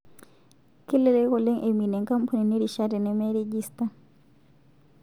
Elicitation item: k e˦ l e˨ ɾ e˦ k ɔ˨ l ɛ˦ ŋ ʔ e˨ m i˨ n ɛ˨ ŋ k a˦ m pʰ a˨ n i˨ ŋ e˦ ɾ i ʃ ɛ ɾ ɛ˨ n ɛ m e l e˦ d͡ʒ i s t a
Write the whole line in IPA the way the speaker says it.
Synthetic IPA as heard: k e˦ l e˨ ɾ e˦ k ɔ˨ l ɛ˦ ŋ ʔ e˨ m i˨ n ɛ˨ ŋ k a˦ m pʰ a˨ n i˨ n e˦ ɾ i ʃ a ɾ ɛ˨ n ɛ m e ɾ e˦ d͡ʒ i s t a